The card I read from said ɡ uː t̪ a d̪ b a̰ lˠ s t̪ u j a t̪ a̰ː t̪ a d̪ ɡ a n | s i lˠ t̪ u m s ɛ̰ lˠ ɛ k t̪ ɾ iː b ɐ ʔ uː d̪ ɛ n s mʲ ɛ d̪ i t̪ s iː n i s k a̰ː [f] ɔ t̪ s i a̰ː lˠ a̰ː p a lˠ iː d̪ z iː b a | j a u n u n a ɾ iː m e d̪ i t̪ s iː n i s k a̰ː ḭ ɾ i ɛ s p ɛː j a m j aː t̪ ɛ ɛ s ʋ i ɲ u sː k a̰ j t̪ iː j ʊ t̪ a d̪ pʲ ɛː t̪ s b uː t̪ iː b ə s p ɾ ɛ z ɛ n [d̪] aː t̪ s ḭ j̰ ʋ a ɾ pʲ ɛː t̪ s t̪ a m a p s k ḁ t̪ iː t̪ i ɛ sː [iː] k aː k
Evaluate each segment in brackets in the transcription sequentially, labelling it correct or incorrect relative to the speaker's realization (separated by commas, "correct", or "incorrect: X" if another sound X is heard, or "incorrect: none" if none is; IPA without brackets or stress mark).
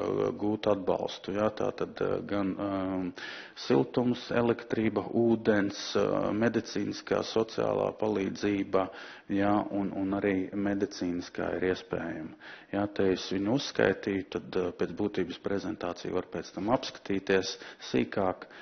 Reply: incorrect: s, incorrect: t̪, correct